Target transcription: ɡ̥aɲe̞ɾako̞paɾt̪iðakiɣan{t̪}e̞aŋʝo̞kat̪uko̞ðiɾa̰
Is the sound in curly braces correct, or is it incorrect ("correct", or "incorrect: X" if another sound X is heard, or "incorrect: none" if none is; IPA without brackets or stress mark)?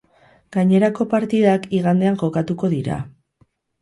incorrect: d̪